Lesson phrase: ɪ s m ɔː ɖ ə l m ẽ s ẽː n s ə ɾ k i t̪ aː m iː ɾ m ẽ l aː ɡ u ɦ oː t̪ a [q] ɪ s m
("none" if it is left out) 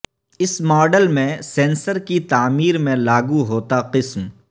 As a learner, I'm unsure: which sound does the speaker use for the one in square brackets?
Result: q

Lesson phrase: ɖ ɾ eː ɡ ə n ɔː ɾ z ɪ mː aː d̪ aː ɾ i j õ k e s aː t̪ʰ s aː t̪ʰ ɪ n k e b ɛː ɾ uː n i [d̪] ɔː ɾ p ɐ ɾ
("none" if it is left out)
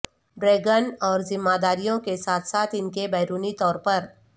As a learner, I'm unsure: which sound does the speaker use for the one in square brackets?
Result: t̪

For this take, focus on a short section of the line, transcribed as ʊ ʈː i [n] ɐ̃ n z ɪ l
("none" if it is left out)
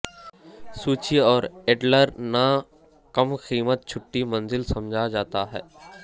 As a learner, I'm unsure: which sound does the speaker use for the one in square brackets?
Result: m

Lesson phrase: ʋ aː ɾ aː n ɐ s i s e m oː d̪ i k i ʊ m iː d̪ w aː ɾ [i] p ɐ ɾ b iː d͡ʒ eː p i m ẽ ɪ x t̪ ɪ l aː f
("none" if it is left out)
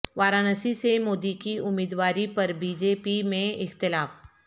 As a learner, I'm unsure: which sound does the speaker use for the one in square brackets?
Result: i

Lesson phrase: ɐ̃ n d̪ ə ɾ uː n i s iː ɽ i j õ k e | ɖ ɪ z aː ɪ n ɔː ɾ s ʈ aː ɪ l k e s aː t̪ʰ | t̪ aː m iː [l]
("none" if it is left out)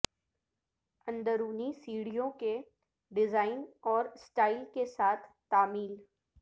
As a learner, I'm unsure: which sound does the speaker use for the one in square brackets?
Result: l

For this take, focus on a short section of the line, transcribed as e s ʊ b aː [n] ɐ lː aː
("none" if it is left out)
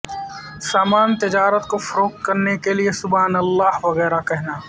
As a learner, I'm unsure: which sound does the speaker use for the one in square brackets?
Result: n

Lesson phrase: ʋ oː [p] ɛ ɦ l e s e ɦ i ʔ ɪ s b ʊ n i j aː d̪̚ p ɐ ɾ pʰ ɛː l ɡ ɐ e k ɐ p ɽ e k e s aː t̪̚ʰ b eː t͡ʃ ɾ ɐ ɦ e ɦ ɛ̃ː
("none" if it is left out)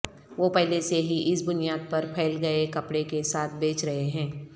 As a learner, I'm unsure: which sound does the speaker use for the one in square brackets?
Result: p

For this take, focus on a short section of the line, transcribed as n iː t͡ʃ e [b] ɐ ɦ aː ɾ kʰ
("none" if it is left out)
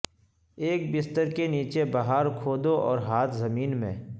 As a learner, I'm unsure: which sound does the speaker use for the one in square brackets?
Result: b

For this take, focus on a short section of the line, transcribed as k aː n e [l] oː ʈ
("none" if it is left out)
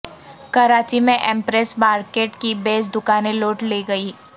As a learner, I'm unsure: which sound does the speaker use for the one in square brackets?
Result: l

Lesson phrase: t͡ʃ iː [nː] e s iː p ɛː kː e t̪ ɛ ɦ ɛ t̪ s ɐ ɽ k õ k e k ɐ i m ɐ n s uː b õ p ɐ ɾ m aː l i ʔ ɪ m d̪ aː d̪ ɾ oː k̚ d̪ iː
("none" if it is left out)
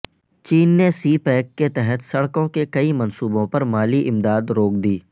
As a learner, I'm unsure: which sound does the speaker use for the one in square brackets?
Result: nː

